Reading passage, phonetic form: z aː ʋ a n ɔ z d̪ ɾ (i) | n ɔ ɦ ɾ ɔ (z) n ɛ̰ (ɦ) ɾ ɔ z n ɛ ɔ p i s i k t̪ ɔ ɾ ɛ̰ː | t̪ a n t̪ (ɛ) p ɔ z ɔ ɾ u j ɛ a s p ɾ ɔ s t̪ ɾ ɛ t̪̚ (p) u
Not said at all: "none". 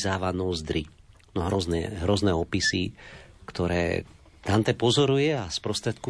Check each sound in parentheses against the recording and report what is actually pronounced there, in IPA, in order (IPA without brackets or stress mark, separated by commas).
i, z, ɦ, ɛ, k